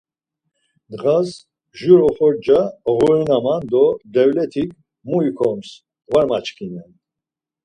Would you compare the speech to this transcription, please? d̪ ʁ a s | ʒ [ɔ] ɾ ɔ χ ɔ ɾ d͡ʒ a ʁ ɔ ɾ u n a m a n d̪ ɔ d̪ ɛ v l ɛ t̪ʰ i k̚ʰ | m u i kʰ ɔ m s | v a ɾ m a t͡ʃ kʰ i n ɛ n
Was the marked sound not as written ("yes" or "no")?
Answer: yes